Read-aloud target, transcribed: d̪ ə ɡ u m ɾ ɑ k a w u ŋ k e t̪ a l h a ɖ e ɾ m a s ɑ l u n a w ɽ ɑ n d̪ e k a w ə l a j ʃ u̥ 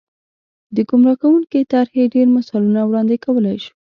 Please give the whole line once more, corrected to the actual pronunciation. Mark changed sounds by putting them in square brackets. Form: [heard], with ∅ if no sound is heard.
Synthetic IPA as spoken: d̪ ə ɡ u m ɾ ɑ k a w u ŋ k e t̪ a [ɾ] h [e] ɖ e ɾ m a s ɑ l u n a w ɽ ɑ n d̪ e k a w ə l a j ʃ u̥